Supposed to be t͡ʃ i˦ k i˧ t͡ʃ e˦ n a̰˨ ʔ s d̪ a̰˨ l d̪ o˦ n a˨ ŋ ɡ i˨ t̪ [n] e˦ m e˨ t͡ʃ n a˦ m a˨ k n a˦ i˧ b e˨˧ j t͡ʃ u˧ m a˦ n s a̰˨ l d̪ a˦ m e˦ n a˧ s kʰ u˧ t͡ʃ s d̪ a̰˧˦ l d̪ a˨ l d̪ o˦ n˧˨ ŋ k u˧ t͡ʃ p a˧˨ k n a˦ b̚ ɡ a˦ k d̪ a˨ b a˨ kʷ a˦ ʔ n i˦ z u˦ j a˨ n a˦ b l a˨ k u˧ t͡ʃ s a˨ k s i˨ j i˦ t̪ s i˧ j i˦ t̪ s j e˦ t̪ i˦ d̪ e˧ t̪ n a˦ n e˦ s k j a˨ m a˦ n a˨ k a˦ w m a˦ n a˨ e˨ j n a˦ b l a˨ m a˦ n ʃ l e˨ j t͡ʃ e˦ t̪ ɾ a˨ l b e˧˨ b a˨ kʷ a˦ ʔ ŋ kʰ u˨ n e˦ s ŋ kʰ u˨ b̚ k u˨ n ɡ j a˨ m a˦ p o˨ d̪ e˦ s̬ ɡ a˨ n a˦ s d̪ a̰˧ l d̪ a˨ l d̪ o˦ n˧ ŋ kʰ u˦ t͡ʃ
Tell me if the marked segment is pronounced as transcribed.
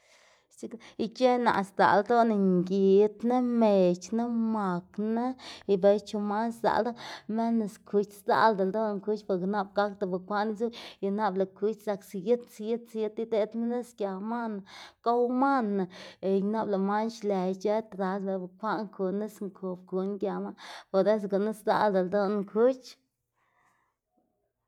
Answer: yes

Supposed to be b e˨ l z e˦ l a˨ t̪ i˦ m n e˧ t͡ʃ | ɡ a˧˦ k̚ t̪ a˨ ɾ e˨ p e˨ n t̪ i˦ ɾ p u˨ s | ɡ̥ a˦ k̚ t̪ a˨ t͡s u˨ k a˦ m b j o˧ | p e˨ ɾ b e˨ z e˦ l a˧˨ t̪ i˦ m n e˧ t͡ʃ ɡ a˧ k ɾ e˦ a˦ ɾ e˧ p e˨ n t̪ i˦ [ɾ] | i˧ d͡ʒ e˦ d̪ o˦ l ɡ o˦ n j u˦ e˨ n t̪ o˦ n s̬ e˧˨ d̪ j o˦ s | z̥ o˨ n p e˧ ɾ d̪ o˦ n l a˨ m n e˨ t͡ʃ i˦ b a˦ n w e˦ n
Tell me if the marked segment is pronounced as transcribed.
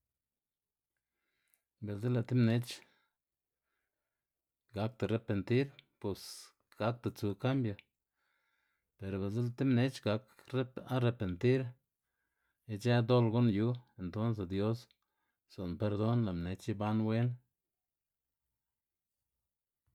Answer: yes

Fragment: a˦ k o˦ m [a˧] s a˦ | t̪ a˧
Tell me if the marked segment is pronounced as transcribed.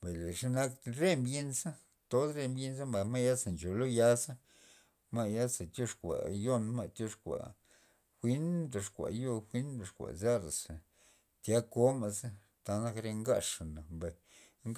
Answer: yes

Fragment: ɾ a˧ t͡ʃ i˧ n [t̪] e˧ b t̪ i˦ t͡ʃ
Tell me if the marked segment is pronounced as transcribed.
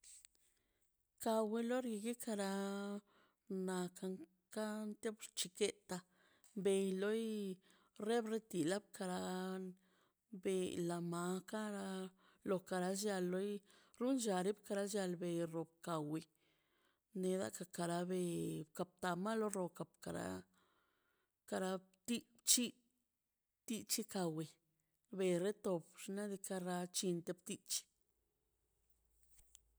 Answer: yes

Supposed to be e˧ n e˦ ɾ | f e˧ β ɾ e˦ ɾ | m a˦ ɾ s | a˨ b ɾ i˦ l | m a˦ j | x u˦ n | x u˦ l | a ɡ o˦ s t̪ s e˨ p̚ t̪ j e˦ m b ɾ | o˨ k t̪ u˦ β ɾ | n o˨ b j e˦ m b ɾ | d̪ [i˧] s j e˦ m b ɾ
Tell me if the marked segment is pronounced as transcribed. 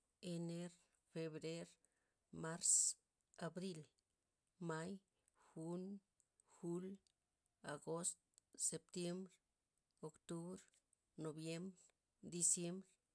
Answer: yes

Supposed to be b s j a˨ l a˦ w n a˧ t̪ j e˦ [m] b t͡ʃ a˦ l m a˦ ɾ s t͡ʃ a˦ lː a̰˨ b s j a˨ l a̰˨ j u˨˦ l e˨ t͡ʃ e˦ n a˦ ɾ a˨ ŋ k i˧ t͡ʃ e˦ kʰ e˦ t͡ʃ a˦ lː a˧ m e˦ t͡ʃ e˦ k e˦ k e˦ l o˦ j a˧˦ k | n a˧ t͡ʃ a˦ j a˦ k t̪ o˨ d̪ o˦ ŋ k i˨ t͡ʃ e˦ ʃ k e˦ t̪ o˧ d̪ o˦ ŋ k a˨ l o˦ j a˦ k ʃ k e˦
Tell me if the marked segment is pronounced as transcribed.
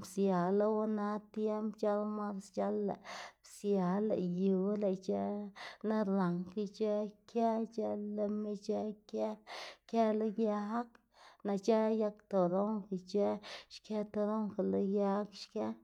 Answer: yes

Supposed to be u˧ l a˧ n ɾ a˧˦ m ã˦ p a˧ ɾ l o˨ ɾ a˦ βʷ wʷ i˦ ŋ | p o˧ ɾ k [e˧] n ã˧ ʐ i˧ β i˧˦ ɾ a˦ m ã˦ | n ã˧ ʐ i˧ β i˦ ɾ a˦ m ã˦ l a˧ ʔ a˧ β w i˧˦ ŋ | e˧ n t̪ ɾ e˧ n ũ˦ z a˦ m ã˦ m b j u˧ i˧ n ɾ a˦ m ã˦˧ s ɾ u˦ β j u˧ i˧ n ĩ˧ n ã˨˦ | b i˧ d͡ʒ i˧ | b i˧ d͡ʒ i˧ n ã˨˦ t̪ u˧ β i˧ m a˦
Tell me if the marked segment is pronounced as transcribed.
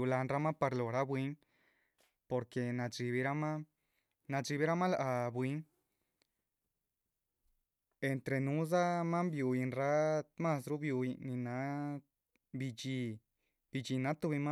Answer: yes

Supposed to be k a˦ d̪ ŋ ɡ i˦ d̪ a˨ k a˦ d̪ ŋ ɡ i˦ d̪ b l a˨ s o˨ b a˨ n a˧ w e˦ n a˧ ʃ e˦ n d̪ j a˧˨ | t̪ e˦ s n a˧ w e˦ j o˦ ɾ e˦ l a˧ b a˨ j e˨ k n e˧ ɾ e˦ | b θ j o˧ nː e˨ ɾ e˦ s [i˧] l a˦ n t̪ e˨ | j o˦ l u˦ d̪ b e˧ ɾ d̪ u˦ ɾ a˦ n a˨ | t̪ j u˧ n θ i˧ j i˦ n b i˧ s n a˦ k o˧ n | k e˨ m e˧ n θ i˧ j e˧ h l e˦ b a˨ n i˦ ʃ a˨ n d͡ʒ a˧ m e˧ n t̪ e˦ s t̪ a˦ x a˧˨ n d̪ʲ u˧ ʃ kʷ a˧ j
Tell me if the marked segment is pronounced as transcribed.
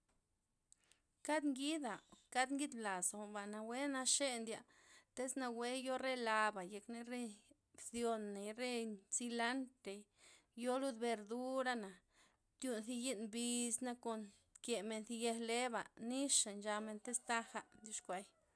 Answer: yes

